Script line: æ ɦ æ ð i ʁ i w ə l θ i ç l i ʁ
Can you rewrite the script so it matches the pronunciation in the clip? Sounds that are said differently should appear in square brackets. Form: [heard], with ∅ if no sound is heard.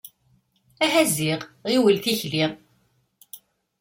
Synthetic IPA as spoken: æ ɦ æ [z] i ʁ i w ə l θ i ç l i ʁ